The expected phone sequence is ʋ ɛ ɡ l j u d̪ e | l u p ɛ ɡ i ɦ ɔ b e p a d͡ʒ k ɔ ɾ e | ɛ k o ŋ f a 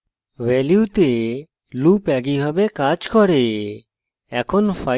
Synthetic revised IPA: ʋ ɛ l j u t̪ e | l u p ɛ ɡ i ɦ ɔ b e k a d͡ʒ k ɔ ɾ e | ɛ kʰ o n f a